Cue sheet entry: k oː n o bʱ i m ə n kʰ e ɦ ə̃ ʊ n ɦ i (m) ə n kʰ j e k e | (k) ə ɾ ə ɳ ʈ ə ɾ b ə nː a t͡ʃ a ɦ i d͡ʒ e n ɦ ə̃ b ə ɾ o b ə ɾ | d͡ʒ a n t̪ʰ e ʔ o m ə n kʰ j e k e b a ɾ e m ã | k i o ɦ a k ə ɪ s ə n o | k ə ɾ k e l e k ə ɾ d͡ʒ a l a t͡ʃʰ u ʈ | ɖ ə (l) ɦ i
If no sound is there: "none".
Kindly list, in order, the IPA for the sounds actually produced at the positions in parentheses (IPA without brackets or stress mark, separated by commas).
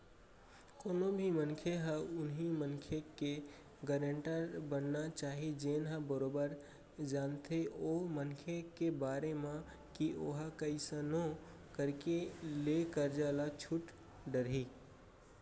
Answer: m, ɡ, ɾ